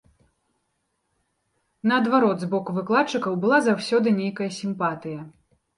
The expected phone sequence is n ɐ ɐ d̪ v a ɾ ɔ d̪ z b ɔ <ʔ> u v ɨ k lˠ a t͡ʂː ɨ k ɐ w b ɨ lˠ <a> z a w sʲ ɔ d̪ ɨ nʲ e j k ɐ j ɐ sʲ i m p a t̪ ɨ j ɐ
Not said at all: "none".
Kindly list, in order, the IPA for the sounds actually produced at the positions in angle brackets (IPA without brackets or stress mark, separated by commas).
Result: k, a